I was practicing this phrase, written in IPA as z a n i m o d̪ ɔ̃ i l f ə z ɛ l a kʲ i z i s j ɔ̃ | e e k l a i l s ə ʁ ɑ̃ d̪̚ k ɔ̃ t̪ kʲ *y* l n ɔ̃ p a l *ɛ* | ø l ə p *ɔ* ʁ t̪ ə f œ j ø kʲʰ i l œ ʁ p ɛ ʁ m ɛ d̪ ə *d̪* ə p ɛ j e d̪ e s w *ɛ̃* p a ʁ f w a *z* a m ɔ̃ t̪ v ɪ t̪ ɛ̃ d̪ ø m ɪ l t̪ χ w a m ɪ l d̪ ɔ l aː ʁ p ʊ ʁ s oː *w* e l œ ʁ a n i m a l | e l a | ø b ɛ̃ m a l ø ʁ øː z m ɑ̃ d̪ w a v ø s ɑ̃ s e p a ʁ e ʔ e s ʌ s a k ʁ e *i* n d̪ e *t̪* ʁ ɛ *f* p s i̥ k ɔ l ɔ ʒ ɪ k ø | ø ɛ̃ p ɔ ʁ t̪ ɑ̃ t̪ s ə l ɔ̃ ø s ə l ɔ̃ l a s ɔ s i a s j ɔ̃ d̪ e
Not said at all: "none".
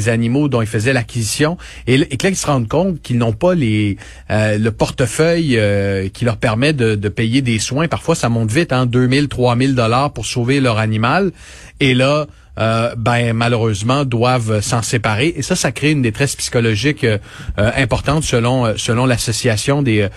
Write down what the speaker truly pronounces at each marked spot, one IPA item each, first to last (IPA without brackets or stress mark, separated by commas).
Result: i, e, ɔ, d̪, ɛ̃, s, v, y, t̪, s